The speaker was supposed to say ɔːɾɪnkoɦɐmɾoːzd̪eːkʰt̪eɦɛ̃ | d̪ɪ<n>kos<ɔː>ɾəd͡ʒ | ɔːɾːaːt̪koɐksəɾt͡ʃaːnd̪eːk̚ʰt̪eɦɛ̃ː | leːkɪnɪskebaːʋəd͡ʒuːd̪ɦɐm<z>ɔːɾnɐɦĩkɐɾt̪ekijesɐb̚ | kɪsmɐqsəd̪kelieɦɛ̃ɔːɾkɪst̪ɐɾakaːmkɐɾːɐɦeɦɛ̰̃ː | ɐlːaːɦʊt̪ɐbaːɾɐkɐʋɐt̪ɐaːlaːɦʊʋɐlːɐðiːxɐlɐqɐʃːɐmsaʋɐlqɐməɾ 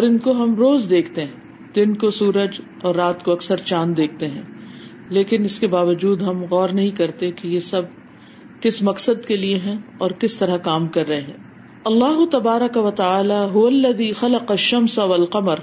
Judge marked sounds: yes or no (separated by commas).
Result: yes, no, no